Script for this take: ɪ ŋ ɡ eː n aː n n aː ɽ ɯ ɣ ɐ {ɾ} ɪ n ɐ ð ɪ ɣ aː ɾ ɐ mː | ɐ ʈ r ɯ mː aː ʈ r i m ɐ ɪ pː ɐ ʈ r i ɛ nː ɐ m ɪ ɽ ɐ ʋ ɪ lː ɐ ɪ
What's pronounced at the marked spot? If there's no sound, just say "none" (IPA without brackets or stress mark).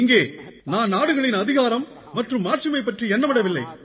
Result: ɭ